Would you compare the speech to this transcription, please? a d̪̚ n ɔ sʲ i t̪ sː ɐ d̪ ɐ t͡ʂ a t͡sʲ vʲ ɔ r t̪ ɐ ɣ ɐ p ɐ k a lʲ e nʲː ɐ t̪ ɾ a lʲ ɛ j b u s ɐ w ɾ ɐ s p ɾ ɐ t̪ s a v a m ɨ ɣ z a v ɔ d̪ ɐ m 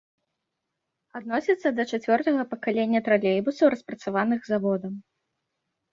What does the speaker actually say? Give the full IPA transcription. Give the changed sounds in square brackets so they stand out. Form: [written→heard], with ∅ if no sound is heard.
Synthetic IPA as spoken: a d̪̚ n ɔ sʲ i t̪ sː ɐ d̪ ɐ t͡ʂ a t͡sʲ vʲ ɔ r t̪ ɐ ɣ ɐ p ɐ k a lʲ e nʲː ɐ t̪ ɾ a lʲ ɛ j b u s ɐ w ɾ ɐ s p ɾ ɐ t̪ s a v a [m→n] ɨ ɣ z a v ɔ d̪ ɐ m

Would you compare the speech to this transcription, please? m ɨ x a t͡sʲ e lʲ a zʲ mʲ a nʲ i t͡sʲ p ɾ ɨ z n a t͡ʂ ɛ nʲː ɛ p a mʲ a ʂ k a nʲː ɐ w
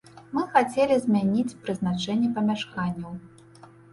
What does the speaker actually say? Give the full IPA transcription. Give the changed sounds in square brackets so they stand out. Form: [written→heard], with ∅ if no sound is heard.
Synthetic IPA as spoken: m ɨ x a t͡sʲ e lʲ [a→i] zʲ mʲ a nʲ i t͡sʲ p ɾ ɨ z n a t͡ʂ ɛ nʲː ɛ p [a→ɐ] mʲ a ʂ k a nʲː ɐ w

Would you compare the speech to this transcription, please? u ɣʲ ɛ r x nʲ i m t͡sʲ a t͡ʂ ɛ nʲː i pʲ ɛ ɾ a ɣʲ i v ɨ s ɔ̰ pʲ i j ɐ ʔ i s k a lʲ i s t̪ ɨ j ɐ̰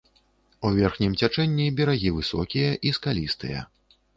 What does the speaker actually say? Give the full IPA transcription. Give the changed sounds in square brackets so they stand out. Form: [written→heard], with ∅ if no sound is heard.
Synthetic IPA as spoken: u [ɣʲ→vʲ] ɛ r x nʲ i m t͡sʲ a t͡ʂ ɛ nʲː i [pʲ→bʲ] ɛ ɾ a ɣʲ i v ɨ s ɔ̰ [pʲ→kʲ] i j ɐ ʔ i s k a lʲ i s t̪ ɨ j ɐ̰

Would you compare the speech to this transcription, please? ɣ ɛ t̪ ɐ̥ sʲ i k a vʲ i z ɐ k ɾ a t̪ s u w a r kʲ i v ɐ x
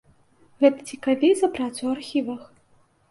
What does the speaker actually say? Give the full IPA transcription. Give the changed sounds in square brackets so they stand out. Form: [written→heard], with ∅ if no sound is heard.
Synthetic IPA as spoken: ɣ ɛ t̪ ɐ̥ [sʲ→t͡sʲ] i k a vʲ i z ɐ [k→p] ɾ a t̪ s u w a r [kʲ→xʲ] i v ɐ x

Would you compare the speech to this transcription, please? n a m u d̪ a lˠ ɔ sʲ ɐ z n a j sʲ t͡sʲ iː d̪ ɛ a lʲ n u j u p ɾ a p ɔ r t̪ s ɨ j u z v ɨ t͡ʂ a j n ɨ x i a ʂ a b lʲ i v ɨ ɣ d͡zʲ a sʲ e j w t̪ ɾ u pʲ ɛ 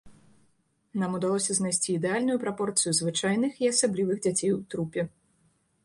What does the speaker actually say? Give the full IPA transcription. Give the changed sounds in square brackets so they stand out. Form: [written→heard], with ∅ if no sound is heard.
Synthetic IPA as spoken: n a m u d̪ a lˠ ɔ sʲ ɐ z n a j sʲ t͡sʲ iː d̪ ɛ a lʲ n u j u p ɾ a p ɔ r t̪ s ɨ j u z v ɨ t͡ʂ a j n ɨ x i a [ʂ→s] a b lʲ i v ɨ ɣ d͡zʲ a [sʲ→t͡sʲ] e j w t̪ ɾ u pʲ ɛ

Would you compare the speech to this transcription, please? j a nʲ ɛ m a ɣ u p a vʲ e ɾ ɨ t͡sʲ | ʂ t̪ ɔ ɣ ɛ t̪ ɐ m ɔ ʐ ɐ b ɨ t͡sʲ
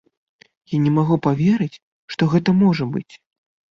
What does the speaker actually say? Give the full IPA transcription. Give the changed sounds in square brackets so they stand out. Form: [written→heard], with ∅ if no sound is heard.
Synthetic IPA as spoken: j a nʲ ɛ m a ɣ u p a vʲ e ɾ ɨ t͡sʲ | ʂ t̪ ɔ ɣ ɛ t̪ ɐ m ɔ ʐ ɐ b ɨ t͡sʲ

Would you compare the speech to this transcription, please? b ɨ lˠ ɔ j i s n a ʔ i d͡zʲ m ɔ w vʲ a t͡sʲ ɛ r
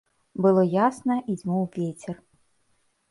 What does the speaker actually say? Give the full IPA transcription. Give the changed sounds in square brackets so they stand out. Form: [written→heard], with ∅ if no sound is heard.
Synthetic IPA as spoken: b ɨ lˠ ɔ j [i→a] s n [a→ɐ] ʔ i d͡zʲ m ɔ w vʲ [a→e] t͡sʲ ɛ r

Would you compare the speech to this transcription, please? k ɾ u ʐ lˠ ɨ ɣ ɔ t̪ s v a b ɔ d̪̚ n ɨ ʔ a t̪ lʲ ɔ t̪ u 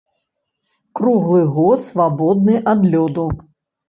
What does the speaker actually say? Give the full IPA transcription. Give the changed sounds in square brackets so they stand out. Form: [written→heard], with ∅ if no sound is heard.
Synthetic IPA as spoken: k ɾ u [ʐ→ɣ] lˠ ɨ ɣ ɔ t̪ s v a b ɔ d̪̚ n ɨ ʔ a [t̪→d̪] lʲ ɔ [t̪→d̪] u

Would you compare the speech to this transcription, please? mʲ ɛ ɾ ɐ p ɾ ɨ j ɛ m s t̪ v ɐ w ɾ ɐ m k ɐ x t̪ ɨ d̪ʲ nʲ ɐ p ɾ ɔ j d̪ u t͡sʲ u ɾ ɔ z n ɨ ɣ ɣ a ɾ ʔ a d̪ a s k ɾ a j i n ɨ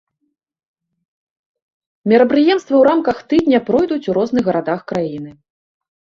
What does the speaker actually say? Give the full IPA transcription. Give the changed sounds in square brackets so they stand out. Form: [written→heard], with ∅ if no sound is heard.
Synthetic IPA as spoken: mʲ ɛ ɾ ɐ p ɾ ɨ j ɛ m s t̪ v ɐ w ɾ [ɐ→a] m k ɐ x t̪ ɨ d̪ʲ nʲ ɐ p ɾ ɔ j d̪ u t͡sʲ u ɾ ɔ z n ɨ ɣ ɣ [a→ɐ] ɾ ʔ a d̪ a [s→x] k ɾ a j i n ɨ

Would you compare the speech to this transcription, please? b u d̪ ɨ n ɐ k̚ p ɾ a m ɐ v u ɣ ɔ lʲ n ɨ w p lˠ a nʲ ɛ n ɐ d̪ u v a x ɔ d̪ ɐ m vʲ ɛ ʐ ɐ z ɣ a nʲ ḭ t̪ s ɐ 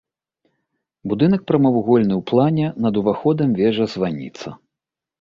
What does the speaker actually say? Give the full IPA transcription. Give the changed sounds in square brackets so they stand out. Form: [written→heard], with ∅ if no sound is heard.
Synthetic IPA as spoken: b u d̪ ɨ n ɐ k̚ p ɾ [a→ɐ] m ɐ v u ɣ ɔ lʲ n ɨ w p lˠ a nʲ ɛ n ɐ d̪ u v a x ɔ d̪ ɐ m vʲ ɛ ʐ ɐ z [ɣ→v] a nʲ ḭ t̪ s ɐ

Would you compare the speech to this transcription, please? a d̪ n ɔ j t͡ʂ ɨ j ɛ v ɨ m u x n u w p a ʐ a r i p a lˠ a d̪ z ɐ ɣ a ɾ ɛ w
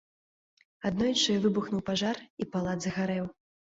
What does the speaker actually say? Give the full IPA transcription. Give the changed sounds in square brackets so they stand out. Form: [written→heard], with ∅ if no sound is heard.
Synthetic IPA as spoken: a d̪ n ɔ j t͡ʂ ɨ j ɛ v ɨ [m→b] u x n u w p a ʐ a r i p a lˠ a d̪ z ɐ ɣ a ɾ ɛ w

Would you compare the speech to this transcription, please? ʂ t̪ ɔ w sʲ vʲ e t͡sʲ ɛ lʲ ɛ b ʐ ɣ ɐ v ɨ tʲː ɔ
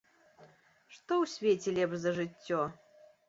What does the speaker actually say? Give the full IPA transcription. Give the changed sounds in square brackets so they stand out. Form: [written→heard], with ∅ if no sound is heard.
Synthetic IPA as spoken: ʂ t̪ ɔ w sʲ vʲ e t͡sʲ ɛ lʲ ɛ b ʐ [ɣ→z] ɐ [v→ʐ] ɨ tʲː ɔ

